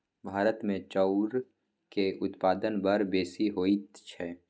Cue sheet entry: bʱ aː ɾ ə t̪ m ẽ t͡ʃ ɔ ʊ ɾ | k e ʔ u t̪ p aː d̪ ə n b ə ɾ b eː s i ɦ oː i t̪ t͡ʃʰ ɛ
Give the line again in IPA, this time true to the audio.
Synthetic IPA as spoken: bʱ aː ɾ ə t̪ m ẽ t͡ʃ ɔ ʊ ɾ | k e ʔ ʊ t̪ p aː d̪ ə n b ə ɾ b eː s i ɦ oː i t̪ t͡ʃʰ ɛ

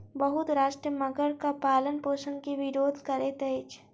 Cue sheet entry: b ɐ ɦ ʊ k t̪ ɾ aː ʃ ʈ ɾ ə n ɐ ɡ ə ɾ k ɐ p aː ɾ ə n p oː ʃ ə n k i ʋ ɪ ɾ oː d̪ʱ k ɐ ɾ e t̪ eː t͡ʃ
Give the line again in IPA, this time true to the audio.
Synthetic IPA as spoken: b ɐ ɦ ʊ t̪ ɾ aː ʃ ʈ ɾ ə m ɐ ɡ ə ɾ k a p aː l ə n p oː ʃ ə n k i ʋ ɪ ɾ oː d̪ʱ k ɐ ɾ e t̪ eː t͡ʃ

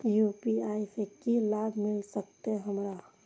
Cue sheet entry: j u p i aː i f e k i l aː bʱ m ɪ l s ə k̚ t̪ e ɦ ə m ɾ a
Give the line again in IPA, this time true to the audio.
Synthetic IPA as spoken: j u p i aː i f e k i l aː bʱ m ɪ l s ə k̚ t̪ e ɦ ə m ɾ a

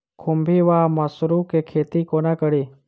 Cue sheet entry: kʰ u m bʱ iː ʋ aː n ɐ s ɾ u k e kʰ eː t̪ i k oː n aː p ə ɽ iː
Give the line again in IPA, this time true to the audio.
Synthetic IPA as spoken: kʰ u m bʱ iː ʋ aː m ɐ s ɾ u k e kʰ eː t̪ i k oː n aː k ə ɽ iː

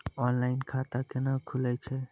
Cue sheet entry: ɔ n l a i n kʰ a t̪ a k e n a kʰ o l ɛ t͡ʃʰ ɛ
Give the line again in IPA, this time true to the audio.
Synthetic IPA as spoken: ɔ n l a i n kʰ a t̪ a k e n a kʰ u l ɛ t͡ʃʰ ɛ

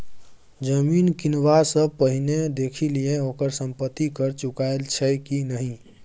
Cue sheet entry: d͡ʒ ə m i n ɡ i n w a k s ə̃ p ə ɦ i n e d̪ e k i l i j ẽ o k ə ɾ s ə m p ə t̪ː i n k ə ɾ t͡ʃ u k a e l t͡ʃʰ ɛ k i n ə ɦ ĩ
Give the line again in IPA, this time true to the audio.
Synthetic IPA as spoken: d͡ʒ ə m i n k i n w a s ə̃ p ə ɦ i n e d̪ e kʰ i l i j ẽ o k ə ɾ s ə m p ə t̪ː i k ə ɾ t͡ʃ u k a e l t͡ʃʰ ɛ k i n ə ɦ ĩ

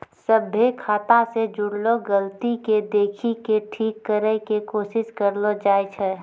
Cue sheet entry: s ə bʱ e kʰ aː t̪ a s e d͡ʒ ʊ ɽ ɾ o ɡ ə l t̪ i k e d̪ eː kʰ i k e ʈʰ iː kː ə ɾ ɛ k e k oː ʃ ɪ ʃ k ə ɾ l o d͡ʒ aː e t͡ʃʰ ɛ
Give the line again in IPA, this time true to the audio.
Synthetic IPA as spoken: s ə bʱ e kʰ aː t̪ a s e d͡ʒ ʊ ɽ l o ɡ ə l t̪ i k e d̪ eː kʰ i k e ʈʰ iː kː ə ɾ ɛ k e k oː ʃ ɪ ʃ k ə ɾ l o d͡ʒ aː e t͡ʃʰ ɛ

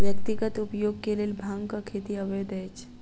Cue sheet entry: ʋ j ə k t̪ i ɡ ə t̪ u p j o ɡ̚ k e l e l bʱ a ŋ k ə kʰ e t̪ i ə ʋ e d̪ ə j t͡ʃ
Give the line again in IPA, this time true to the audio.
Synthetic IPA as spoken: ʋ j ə k t̪ i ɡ ə t̪ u p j o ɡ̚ k e l e l bʱ a ŋ k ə kʰ e t̪ i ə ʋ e d̪ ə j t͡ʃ

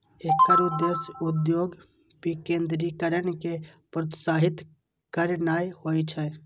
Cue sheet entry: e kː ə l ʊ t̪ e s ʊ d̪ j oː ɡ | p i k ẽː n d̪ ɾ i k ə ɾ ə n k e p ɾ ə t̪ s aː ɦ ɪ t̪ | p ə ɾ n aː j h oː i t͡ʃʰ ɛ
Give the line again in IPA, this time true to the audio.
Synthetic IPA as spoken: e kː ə ɾ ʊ d̪ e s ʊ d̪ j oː ɡ | p i k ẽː n d̪ ɾ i k ə ɾ ə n k e p ɾ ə t̪ s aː ɦ ɪ t̪ | k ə ɾ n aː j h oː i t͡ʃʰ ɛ

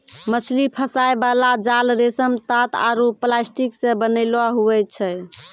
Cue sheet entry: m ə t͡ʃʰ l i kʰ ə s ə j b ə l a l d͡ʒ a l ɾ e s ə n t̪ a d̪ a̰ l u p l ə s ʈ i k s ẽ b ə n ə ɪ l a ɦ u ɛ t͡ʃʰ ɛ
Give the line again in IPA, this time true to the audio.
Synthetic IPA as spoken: m ə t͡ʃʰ l i pʰ ə s a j b a l a d͡ʒ a l ɾ e s ə m t̪ a t̪ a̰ ɾ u p l a s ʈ i k s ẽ b ə n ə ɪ l a ɦ u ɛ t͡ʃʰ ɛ

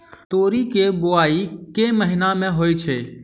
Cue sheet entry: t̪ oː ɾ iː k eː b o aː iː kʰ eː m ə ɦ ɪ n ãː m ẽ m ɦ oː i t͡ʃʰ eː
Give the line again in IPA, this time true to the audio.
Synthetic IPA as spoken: t̪ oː ɾ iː k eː b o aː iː k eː m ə ɦ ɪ n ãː m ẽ ɦ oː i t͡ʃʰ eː

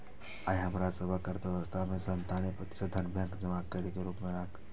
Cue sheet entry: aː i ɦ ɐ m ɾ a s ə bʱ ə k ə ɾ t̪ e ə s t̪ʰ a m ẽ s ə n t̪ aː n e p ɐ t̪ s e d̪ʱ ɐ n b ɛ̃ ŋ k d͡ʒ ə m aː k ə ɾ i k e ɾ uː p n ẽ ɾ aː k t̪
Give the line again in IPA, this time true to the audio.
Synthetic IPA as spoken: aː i ɦ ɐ m ɾ a s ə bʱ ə k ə ɾ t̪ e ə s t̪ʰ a m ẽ s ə n t̪ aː n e p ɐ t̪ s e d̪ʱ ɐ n b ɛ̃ ŋ k d͡ʒ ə m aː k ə ɾ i k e ɾ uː p m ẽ ɾ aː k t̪

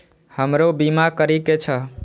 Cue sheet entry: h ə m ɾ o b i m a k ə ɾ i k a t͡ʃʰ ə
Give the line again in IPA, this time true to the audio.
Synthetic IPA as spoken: h ə m ɾ o b i m a k ə ɾ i k e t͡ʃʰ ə

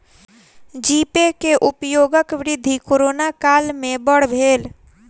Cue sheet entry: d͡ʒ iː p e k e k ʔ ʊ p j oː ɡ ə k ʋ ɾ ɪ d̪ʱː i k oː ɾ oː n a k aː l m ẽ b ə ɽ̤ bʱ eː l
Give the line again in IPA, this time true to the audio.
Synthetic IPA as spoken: d͡ʒ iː p e k e ʔ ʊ p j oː ɡ ə k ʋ ɾ ɪ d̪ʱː i k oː ɾ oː n a k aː l m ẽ b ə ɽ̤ bʱ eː l

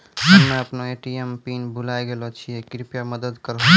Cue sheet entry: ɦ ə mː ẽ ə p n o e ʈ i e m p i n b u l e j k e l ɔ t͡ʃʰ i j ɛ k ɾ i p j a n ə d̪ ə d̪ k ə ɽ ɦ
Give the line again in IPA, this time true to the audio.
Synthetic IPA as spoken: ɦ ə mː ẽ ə p n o e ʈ i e m p i n b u l a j ɡ e l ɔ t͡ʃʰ i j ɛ k ɾ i p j a m ə d̪ ə d̪ k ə ɾ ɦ

